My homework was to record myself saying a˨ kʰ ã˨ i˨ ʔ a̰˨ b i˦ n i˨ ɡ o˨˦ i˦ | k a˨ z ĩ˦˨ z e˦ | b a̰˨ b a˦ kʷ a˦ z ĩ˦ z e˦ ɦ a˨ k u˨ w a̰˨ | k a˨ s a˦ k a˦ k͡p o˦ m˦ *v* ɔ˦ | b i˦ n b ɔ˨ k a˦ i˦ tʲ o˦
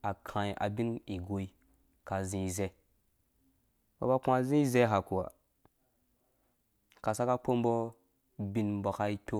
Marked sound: incorrect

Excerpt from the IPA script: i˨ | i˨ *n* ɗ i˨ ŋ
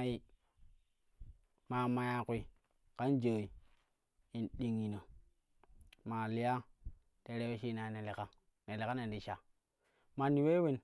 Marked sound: correct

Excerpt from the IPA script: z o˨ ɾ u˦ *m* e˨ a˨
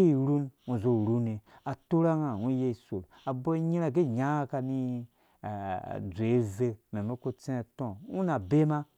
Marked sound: incorrect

